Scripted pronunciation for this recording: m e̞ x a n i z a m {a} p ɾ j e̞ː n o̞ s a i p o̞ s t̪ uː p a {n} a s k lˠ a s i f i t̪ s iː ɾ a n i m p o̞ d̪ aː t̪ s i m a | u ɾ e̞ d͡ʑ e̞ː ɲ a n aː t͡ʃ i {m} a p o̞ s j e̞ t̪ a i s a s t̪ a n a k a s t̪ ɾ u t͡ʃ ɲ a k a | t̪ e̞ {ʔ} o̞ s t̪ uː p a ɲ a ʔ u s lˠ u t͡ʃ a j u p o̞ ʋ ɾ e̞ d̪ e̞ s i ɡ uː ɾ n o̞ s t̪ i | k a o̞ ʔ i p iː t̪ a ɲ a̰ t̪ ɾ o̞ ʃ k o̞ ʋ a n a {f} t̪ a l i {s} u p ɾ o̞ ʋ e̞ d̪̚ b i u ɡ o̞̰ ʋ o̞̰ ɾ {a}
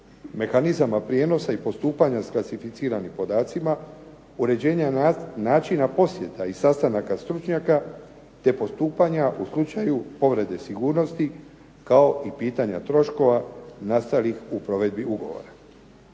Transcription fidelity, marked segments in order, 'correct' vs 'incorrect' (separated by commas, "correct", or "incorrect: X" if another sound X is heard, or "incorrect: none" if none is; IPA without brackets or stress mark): correct, incorrect: ɲ, incorrect: n, incorrect: p, incorrect: s, incorrect: x, correct